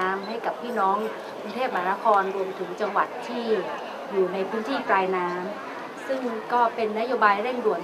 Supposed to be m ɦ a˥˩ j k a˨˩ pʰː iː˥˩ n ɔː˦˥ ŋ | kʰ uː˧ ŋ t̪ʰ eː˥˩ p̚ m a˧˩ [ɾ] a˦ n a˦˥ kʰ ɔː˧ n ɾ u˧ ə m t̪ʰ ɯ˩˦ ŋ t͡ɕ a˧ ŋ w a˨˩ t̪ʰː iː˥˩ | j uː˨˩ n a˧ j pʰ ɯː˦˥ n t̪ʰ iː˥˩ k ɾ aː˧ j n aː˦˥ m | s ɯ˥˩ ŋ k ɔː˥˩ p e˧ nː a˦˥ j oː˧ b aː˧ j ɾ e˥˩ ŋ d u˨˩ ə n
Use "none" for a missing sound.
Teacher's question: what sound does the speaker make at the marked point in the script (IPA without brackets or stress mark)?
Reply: none